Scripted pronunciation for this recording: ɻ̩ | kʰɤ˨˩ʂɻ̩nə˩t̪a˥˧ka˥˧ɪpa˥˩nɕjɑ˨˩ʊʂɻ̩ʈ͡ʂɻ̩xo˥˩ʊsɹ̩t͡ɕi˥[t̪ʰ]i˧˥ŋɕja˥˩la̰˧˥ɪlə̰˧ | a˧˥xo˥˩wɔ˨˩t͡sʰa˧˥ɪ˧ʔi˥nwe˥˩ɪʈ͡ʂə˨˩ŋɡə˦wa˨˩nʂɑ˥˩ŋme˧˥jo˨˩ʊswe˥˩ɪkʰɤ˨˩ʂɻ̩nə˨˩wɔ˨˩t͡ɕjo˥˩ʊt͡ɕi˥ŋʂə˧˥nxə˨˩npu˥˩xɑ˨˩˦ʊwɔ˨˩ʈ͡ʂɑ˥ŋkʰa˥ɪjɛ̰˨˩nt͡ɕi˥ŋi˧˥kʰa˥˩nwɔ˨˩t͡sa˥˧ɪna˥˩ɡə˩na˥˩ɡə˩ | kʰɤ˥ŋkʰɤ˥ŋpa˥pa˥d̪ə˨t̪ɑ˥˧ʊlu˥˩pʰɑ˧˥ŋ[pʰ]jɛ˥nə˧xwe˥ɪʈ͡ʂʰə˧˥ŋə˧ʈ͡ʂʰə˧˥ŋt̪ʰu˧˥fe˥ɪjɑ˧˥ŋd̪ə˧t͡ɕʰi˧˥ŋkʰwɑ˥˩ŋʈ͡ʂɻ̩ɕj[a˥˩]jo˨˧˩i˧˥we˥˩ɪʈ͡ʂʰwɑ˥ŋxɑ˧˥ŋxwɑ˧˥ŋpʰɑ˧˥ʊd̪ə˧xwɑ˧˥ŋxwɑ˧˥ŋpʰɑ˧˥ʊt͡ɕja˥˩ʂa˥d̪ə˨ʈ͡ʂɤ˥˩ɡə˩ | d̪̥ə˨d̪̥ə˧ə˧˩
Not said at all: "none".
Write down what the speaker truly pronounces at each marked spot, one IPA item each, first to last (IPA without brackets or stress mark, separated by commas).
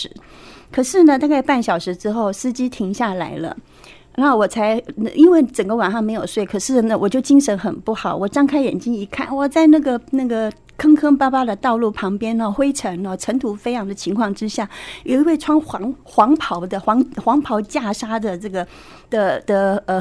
t̪ʰ, p, a˥˩